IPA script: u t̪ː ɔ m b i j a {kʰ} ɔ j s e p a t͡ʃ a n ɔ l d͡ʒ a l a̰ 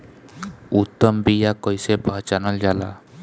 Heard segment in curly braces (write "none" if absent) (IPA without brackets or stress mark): k